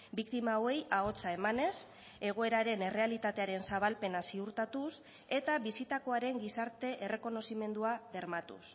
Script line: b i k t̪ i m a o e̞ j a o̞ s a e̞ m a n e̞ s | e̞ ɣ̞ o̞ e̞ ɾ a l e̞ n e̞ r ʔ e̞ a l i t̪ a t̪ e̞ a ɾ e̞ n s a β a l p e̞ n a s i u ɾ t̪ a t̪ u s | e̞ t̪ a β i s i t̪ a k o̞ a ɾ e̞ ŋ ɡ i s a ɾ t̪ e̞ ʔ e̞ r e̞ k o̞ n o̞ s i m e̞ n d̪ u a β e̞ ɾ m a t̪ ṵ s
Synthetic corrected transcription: b i k t̪ i m a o e̞ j a o̞ t͡s a e̞ m a n e̞ s | e̞ ɣ̞ o̞ e̞ ɾ a ɾ e̞ n e̞ r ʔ e̞ a l i t̪ a t̪ e̞ a ɾ e̞ n s a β a l p e̞ n a s i u ɾ t̪ a t̪ u s | e̞ t̪ a β i s i t̪ a k o̞ a ɾ e̞ ŋ ɡ i s a ɾ t̪ e̞ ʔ e̞ r e̞ k o̞ n o̞ s i m e̞ n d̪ u a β e̞ ɾ m a t̪ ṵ s